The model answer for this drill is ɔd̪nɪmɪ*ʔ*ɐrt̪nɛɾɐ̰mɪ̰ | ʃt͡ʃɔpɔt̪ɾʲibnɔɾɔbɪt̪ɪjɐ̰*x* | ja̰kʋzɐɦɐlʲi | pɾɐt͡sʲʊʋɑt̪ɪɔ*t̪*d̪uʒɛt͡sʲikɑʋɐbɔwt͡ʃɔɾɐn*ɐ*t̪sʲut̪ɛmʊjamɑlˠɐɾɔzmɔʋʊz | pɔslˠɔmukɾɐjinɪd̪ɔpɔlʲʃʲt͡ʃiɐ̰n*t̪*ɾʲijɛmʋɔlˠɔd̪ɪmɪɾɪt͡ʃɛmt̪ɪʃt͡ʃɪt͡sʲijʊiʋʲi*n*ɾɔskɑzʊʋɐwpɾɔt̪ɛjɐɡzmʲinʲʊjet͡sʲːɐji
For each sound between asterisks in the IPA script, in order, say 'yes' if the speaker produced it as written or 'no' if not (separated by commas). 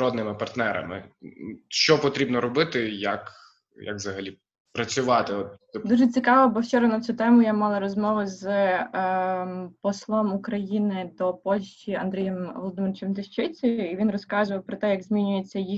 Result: no, no, yes, yes, no, yes